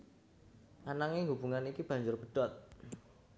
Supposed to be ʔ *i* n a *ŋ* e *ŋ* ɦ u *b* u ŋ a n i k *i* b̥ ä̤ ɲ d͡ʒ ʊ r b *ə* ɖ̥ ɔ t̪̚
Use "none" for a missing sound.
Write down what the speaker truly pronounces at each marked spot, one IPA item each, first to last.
a, ŋ, ŋ, b, i, ə

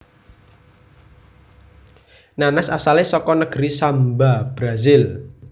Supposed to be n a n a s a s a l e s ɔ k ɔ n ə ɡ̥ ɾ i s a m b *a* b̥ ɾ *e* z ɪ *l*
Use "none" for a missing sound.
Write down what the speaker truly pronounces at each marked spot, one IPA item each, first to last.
a, a, l

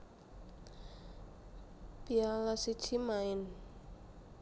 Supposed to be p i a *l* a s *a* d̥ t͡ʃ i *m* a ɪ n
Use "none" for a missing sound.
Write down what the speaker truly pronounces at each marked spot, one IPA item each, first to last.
l, i, m

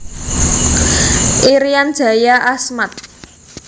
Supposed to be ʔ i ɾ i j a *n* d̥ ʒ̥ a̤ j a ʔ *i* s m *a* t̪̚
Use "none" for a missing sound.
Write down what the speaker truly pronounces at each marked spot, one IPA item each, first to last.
n, a, a

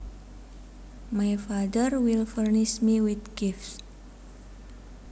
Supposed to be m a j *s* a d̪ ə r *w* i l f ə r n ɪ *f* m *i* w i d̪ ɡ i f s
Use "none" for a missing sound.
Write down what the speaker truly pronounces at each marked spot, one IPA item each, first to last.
f, w, ʃ, i

